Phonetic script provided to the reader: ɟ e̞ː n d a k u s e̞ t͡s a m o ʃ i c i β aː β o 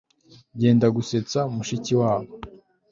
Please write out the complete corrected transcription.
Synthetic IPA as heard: ɟ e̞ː n d a ɡ u s e̞ t͡s a m u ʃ i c i w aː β o